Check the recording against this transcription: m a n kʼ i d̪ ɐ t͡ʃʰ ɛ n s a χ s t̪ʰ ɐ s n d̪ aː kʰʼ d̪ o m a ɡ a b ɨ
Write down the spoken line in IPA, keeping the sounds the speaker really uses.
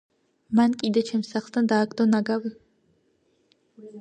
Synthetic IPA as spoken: m a n kʼ i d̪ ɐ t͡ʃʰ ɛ m s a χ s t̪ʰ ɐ n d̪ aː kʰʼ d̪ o n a ɡ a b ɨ